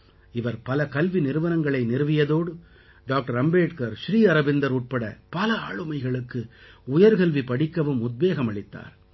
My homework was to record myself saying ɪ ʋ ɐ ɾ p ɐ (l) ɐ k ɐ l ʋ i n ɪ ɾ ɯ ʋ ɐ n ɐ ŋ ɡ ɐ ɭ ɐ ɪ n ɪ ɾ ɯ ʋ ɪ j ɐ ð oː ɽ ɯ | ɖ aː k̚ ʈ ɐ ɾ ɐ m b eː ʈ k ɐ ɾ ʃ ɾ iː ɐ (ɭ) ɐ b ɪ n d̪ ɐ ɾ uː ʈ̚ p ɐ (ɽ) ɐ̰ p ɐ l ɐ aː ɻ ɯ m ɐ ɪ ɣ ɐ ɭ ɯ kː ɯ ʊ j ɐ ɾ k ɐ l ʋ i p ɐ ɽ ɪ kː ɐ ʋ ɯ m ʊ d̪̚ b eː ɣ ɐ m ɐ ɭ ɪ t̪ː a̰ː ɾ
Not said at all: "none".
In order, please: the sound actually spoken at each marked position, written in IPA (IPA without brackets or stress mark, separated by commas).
l, ɾ, ɽ